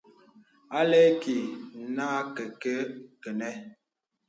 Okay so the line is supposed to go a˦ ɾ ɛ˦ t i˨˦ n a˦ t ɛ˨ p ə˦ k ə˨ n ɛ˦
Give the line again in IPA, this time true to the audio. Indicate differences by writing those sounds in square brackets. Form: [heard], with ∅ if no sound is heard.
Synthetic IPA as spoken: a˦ [l] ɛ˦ [k] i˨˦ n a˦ [k] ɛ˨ [k] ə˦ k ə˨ n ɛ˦